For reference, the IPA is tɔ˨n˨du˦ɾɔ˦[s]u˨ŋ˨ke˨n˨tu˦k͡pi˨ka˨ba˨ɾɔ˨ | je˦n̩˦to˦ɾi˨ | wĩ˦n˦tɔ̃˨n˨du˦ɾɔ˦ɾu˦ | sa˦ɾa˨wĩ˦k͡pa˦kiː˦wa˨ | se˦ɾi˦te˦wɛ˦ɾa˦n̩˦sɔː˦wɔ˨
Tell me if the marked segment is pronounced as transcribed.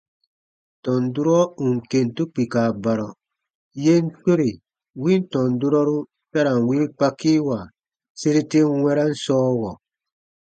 no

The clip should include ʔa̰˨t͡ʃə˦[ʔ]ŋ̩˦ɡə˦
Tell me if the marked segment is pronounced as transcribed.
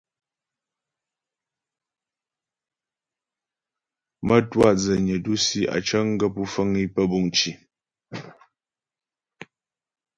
no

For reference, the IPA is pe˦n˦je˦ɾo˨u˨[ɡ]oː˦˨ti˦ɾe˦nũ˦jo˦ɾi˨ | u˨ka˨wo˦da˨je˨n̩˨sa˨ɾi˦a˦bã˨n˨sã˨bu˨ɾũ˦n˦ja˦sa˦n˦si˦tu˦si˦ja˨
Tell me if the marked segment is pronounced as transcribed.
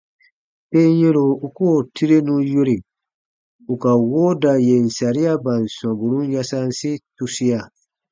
no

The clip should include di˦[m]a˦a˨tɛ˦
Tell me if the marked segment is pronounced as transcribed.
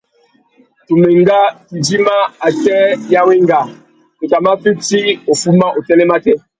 yes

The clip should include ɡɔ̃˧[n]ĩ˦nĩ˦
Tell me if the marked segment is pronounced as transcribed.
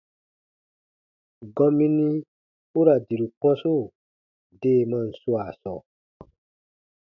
no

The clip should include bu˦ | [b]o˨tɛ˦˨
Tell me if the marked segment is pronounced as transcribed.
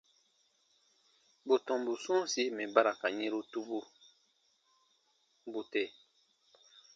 yes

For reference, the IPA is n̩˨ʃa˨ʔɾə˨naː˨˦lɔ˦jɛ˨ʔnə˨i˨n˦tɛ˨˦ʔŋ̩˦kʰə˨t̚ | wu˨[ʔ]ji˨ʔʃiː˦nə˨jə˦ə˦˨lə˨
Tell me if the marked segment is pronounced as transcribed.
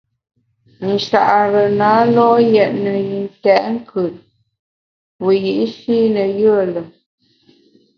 no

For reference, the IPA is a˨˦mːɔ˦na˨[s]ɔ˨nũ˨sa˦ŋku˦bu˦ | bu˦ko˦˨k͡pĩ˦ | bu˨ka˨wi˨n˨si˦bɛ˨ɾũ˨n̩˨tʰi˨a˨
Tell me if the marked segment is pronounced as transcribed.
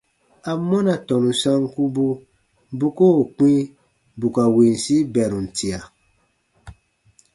no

